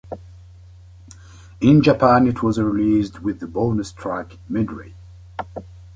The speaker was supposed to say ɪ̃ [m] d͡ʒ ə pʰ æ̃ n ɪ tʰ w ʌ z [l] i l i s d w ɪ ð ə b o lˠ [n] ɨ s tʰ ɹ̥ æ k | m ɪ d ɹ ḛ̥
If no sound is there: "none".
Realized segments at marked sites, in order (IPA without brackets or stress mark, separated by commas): n, ɹ, n